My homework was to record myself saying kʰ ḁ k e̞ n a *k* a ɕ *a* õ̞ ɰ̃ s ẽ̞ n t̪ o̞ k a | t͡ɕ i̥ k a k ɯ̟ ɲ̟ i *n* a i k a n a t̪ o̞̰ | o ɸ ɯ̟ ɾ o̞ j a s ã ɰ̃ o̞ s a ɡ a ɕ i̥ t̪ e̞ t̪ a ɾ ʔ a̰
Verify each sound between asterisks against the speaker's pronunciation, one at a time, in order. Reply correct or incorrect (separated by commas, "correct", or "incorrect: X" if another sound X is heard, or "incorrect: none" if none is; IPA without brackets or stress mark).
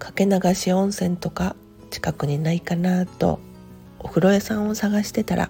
incorrect: ɡ, incorrect: i, correct